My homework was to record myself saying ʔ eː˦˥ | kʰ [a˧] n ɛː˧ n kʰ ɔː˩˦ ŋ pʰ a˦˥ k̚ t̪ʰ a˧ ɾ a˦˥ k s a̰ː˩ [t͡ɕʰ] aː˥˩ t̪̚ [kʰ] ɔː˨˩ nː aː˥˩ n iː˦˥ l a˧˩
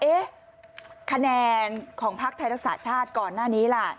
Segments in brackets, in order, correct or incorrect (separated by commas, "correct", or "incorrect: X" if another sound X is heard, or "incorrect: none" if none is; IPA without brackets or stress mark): correct, correct, incorrect: k